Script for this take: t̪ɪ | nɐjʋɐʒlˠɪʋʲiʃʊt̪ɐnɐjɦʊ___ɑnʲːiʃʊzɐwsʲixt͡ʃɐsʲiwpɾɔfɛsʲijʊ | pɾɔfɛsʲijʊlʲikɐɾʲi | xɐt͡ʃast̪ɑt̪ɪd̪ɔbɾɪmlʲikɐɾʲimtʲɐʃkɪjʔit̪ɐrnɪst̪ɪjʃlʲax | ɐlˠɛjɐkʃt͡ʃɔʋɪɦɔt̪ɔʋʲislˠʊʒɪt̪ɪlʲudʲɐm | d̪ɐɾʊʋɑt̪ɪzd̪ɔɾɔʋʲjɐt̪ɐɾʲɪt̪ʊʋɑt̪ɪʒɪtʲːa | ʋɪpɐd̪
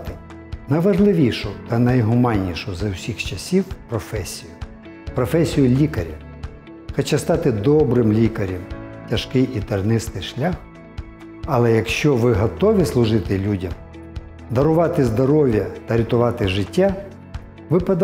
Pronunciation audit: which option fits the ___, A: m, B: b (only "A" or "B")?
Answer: A